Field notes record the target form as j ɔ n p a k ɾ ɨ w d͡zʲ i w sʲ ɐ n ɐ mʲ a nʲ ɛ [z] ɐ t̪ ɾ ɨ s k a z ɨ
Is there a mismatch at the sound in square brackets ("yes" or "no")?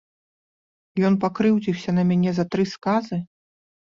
no